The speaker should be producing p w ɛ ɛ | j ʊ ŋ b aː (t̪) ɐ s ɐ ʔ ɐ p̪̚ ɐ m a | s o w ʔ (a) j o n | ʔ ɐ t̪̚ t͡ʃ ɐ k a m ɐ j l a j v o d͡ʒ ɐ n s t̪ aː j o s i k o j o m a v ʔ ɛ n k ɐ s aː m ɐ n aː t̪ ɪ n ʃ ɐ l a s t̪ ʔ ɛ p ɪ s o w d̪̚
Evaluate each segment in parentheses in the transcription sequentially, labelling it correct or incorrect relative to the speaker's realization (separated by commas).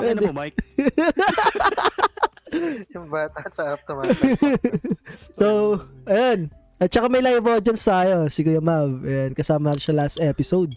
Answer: correct, incorrect